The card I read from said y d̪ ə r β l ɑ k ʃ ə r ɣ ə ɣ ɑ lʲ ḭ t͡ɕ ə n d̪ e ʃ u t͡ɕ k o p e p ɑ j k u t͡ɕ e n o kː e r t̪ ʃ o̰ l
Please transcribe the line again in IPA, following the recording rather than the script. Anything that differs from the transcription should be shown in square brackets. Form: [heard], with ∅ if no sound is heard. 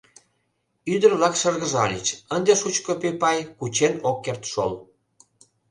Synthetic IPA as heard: y d̪ ə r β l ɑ k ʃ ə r ɣ ə [ʒ] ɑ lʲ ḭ t͡ɕ ə n d̪ e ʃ u t͡ɕ k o p e p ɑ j k u t͡ɕ e n o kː e r t̪ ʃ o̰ l

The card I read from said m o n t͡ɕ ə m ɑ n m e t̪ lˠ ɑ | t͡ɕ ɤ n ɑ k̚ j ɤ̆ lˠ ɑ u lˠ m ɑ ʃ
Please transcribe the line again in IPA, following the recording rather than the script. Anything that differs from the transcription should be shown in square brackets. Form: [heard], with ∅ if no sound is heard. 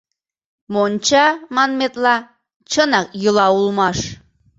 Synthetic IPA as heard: m o n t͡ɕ [ɑ] m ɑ n m e t̪ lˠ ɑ | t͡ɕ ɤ n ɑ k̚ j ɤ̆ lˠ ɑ u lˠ m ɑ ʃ

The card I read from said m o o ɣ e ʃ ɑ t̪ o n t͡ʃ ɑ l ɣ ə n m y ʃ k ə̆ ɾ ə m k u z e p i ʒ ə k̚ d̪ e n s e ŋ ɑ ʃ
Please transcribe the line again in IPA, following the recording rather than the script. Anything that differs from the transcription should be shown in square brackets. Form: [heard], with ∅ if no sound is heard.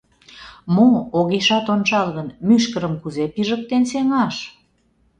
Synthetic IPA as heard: m o o ɣ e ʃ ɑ t̪ o n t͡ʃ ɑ l ɣ ə n m y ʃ k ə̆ ɾ ə m k u z e p i ʒ ə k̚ [t̪] e n s e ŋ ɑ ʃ

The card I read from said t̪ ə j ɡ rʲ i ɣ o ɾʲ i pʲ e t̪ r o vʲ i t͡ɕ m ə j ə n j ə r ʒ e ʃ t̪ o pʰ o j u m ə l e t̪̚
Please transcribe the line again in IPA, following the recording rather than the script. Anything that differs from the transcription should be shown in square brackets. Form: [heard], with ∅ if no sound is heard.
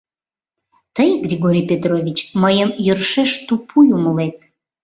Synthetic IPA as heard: t̪ ə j ɡ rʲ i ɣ o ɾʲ i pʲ e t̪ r o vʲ i t͡ɕ m ə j ə [m] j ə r [ʃ] e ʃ t̪ [u] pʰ [u] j u m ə l e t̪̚

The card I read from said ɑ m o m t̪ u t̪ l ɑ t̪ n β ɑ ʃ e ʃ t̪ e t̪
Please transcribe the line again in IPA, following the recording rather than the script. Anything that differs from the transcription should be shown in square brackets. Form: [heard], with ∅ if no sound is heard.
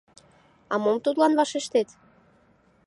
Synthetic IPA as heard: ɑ m o m t̪ u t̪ l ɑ [∅] n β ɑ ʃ e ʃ t̪ e t̪

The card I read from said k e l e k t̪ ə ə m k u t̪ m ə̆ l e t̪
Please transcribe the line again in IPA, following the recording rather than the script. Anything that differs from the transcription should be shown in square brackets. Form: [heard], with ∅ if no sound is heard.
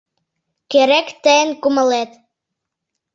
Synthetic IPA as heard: k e [ɾ] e k t̪ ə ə [n] k u [∅] m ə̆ l e t̪

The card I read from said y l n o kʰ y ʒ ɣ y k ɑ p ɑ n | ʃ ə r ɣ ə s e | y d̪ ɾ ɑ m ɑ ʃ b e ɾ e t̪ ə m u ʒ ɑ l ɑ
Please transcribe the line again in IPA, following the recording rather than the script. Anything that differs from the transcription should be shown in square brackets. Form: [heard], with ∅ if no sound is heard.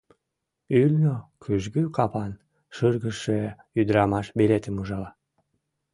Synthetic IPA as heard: y l n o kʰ y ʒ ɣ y k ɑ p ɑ n | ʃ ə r ɣ ə [ʃ] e | y d̪ ɾ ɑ m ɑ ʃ b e [l] e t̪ ə m u ʒ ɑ l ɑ

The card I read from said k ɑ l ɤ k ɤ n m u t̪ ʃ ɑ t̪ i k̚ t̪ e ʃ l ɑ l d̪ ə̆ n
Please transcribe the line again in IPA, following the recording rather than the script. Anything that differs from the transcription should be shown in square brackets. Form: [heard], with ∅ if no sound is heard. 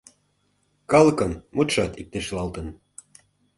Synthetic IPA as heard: k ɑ l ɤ k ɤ n m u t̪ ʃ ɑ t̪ i k̚ t̪ e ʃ l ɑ l [t̪] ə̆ n

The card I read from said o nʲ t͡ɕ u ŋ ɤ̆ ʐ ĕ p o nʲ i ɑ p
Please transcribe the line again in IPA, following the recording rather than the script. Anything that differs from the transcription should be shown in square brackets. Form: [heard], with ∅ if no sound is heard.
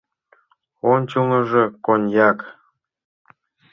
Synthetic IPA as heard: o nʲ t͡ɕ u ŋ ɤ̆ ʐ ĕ [k] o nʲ [j] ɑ [k]

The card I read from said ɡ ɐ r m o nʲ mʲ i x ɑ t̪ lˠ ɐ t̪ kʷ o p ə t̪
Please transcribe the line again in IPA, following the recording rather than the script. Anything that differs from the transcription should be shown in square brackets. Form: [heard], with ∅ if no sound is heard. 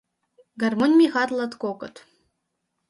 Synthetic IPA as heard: ɡ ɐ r m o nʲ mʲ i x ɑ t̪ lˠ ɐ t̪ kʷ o [k] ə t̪

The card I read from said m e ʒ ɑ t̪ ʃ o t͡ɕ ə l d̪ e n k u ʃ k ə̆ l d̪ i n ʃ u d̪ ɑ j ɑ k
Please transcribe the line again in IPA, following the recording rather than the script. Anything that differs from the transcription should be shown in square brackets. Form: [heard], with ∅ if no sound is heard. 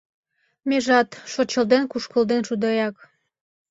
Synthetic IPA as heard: m e ʒ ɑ t̪ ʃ o t͡ɕ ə l d̪ e n k u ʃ k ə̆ l d̪ [e] n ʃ u d̪ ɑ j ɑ k

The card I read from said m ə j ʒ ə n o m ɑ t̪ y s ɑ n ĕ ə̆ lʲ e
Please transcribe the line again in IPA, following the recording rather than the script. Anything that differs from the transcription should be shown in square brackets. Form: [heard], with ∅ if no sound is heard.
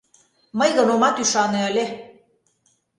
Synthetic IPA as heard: m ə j [ɣ] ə n o m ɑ t̪ y [ʃ] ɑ n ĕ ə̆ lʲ e

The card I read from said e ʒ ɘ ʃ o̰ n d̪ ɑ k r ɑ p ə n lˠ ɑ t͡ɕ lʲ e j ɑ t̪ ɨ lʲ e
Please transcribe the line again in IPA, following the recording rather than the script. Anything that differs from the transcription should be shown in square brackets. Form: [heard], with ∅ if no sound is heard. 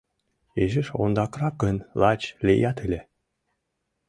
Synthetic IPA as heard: e ʒ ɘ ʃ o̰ n d̪ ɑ k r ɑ [k] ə n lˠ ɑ t͡ɕ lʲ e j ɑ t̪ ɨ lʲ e

